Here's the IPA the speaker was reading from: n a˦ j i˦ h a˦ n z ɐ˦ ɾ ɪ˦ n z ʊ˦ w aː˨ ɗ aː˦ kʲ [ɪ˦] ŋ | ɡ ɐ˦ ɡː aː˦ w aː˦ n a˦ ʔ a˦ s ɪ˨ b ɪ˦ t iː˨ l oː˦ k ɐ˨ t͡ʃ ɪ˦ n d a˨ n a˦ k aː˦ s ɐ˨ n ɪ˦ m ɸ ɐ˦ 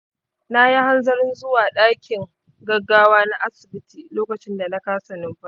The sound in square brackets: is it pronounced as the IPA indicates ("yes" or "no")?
no